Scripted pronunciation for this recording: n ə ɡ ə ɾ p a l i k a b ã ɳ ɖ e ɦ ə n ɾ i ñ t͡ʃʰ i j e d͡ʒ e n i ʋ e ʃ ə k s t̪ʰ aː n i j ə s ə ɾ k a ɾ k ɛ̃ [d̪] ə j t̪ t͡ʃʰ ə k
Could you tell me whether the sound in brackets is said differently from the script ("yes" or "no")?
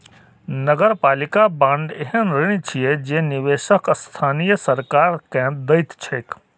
no